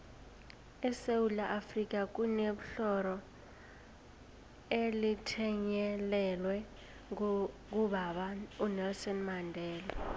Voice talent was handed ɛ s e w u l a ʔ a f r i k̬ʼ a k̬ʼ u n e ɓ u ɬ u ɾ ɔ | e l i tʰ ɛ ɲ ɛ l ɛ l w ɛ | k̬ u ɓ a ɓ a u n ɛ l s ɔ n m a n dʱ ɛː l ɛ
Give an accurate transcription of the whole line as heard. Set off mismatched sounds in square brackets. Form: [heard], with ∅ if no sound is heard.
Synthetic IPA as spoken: ɛ s e w u l a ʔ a f r i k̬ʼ a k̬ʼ u n e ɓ u ɬ [ɔ] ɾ ɔ | e l i tʰ ɛ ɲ ɛ l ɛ l w ɛ | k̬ u ɓ a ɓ a u n ɛ l s ɔ n m a n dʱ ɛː l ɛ